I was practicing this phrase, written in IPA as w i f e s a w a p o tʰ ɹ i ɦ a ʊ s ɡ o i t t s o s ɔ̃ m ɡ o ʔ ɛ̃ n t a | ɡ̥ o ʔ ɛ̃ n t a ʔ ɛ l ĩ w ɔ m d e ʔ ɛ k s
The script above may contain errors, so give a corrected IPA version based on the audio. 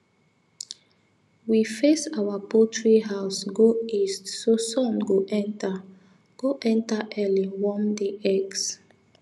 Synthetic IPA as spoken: w i f e s a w a p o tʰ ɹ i ɦ a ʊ s ɡ o i s t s o s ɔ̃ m ɡ o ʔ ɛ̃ n t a | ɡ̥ o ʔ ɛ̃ n t a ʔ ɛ l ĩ w ɔ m d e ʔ ɛ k s

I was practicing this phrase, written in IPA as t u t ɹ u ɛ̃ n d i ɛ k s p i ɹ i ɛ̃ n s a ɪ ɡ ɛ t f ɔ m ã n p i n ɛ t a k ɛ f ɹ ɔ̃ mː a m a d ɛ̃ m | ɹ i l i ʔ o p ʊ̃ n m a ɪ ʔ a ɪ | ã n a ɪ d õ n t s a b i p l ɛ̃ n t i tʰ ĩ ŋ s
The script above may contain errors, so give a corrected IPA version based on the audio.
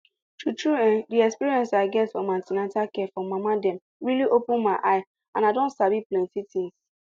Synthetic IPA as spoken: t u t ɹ u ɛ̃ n d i ɛ k s p i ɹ i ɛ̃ n s a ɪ ɡ ɛ t f ɔ m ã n t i n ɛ t a k ɛ f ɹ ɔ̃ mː a m a d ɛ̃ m | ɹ i l i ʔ o p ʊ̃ n m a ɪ ʔ a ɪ | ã n a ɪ d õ n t s a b i p l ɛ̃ n t i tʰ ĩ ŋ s

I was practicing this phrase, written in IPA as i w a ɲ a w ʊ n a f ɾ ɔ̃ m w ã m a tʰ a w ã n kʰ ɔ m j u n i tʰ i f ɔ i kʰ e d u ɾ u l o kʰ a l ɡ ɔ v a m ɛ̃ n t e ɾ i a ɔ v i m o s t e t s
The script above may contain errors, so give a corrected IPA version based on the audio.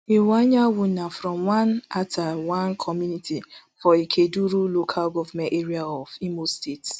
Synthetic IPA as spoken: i w a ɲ a w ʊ n a f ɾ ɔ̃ m w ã n a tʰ a w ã n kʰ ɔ m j u n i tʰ i f ɔ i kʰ e d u ɾ u l o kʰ a l ɡ ɔ v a m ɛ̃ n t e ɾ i a ɔ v i m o s t e t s

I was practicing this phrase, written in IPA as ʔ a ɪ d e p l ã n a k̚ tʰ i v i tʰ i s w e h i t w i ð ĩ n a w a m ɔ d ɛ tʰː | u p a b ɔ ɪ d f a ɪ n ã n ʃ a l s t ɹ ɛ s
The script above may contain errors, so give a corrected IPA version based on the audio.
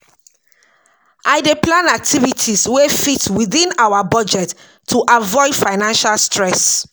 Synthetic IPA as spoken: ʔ a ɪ d e p l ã n a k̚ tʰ i v i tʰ i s w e f i t w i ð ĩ n a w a b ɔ d͡ʒ ɛ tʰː | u ʔ a v ɔ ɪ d f a ɪ n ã n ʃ a l s t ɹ ɛ s

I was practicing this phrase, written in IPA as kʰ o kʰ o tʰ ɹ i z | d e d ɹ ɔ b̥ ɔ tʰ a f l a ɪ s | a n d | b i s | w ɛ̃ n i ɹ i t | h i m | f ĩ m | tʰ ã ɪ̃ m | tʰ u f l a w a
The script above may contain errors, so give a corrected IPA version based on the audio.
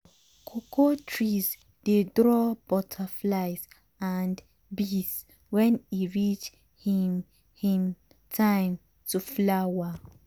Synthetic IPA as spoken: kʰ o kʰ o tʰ ɹ i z | d e d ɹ ɔ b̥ ɔ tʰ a f l a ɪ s | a n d | b i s | w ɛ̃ n i ɹ i t͡ʃ | h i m | h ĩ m | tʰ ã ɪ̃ m | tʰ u f l a w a

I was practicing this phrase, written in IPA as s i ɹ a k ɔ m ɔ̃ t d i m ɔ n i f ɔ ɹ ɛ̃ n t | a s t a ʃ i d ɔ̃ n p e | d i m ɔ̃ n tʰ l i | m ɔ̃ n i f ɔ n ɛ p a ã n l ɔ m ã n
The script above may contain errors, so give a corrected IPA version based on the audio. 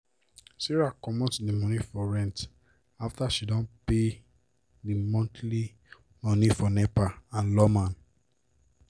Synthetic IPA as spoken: s i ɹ a k ɔ m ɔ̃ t d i m ɔ n i f ɔ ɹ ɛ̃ n t | a f t a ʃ i d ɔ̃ n p e | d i m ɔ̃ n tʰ l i | m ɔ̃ n i f ɔ n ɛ p a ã n l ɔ m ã n

